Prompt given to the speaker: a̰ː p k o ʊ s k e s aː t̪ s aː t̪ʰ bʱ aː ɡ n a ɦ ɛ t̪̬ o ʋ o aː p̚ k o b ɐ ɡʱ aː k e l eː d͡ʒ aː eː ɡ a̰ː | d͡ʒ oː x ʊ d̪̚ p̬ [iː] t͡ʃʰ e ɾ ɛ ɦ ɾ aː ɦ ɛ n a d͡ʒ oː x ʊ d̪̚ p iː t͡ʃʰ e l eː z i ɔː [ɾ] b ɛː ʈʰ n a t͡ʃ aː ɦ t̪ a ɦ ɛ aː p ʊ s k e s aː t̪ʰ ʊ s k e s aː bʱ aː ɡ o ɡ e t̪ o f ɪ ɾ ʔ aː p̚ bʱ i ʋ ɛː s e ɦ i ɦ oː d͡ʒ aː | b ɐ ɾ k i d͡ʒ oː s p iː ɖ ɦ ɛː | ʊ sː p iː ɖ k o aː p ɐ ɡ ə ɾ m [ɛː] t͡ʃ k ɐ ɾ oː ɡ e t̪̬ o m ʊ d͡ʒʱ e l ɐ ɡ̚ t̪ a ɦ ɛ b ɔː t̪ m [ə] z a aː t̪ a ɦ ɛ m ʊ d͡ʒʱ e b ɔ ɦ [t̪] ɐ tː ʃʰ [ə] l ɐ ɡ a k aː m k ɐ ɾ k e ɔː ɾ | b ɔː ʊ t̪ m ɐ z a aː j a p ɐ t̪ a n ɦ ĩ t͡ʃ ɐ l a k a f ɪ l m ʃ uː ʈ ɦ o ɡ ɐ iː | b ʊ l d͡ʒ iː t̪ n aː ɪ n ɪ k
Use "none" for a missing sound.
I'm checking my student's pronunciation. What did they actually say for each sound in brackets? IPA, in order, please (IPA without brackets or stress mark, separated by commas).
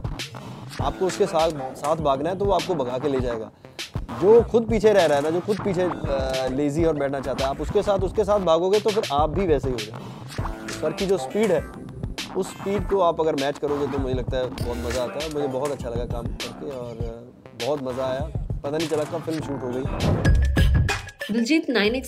iː, ɾ, ɛː, ɐ, t̪, a